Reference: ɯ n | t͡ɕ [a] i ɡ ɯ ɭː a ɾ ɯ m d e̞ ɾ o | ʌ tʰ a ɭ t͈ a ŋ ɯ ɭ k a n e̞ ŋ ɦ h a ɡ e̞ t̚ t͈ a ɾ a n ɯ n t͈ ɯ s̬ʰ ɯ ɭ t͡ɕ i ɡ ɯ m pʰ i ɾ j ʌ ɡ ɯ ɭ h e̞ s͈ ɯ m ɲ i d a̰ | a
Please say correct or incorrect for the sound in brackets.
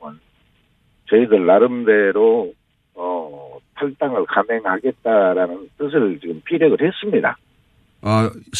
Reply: incorrect